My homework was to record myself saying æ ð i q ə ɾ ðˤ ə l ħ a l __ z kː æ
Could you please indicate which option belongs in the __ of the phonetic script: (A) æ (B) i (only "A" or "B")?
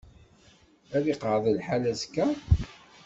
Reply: A